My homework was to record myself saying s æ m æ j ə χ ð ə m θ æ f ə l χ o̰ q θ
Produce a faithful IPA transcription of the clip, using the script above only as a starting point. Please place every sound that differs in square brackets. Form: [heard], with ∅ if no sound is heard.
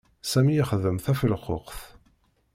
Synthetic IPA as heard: s æ m [i] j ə χ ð ə m θ æ f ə l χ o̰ q θ

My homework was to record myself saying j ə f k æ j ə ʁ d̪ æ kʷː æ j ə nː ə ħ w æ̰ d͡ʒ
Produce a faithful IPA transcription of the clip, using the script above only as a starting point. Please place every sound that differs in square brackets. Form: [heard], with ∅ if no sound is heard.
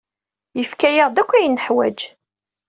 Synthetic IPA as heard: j ə f k æ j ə ʁ d̪ æ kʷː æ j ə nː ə ħ w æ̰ d͡ʒ

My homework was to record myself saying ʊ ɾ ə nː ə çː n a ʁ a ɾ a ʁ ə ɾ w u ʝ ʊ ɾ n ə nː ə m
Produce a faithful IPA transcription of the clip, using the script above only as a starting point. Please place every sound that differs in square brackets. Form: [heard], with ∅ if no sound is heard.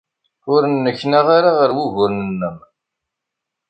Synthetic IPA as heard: ʊ ɾ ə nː ə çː n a ʁ a ɾ a ʁ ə ɾ w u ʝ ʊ ɾ n ə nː ə m

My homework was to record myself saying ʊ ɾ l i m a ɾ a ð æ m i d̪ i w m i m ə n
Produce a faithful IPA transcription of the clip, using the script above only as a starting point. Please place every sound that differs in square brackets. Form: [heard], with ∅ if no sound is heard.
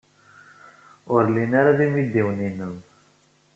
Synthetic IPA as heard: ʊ ɾ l i [n] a ɾ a ð [i] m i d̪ i w [n] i [n] ə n

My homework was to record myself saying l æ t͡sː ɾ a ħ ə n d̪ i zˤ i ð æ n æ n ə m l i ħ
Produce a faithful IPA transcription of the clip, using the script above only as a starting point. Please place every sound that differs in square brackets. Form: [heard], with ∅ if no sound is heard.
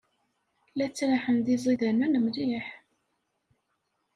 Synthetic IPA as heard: l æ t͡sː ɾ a ħ ə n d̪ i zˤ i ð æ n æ n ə m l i ħ

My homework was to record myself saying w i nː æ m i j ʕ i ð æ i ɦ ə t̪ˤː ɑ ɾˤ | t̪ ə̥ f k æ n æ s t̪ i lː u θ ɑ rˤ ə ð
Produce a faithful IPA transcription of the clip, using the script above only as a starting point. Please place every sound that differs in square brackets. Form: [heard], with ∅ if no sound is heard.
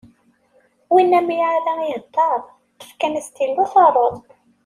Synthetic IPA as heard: w i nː æ m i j ʕ [a] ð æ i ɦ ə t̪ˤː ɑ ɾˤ | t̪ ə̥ f k æ n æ s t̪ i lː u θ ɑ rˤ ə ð

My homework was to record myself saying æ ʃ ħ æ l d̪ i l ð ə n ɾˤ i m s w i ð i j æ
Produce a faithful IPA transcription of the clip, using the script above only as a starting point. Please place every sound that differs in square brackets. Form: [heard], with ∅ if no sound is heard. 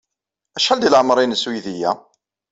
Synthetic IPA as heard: æ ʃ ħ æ l d̪ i l [ʕ] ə [m] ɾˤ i [n] s w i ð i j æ

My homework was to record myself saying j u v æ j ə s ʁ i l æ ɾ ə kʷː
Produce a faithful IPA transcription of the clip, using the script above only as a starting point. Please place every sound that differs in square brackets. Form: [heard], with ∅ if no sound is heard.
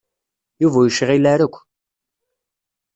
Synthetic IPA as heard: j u v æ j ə [ʃ] ʁ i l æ ɾ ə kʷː

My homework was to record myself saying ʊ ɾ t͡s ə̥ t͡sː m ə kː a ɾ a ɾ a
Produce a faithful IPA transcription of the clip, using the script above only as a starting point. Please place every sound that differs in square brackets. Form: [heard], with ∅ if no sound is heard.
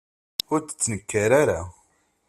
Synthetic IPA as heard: ʊ ɾ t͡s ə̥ t͡sː [n] ə kː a ɾ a ɾ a

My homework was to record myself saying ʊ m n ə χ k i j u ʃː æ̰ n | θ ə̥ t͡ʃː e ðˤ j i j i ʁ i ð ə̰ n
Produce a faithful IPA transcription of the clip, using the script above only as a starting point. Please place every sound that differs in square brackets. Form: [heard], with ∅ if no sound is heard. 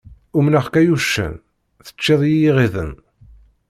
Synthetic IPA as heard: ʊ m n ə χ k [æ] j u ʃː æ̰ n | θ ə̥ t͡ʃː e ðˤ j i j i ʁ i ð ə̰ n

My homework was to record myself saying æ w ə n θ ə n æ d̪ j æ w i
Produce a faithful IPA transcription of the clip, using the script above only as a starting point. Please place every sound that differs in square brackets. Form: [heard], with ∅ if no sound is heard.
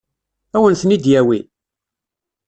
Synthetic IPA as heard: æ w ə n θ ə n [i] d̪ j æ w i

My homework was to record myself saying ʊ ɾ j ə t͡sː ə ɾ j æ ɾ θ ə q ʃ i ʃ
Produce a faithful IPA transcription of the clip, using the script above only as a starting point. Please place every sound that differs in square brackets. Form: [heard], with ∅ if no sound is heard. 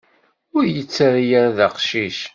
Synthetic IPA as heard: ʊ ɾ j ə t͡sː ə ɾ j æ ɾ [ð] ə q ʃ i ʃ

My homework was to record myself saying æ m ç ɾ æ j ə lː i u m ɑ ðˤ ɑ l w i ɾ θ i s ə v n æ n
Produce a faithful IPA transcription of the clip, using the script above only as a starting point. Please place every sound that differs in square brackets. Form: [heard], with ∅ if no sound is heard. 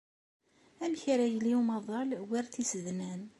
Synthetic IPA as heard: æ m ç ɾ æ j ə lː i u m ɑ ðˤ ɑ l w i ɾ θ i s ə [ð] n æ n

